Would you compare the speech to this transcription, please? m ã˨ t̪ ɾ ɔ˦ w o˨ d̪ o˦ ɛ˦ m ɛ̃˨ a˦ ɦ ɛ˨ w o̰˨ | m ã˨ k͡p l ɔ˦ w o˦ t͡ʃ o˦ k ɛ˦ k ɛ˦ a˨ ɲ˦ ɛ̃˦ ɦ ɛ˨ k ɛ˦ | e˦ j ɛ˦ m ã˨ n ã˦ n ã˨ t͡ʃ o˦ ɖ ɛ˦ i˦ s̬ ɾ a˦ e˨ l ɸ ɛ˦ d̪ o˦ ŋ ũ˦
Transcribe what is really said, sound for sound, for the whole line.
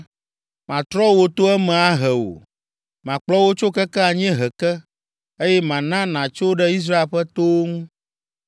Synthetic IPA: m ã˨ t̪ ɾ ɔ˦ w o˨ t̪ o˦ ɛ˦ m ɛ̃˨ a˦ ɦ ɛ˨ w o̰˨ | m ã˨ k͡p l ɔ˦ w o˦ t͡ʃ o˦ k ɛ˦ k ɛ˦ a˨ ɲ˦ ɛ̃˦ ɦ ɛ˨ k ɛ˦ | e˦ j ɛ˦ m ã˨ n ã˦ n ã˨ t͡ʃ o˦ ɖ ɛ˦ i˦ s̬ ɾ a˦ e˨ l ɸ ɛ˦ t̪ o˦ ŋ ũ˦